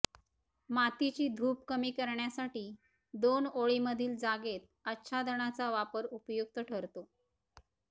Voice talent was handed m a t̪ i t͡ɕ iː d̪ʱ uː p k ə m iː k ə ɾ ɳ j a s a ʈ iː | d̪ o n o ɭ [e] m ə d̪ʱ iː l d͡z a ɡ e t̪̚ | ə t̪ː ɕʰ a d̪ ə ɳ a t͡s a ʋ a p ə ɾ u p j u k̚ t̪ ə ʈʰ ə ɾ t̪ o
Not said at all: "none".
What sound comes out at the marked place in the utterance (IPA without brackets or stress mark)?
i